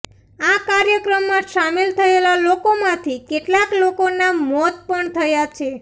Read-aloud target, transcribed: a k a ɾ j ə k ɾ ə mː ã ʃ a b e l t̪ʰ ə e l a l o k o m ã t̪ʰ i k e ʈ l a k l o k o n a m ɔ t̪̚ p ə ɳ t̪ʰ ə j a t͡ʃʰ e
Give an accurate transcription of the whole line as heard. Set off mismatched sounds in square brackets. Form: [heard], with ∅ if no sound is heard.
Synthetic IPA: a k a ɾ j ə k ɾ ə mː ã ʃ a [m] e l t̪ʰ ə e l a l o k o m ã t̪ʰ i k e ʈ l a k l o k o n a m ɔ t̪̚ p ə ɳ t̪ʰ ə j a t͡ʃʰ e